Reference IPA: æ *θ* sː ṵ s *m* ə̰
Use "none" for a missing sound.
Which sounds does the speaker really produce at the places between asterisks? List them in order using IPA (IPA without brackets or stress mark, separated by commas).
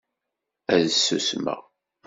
ð, m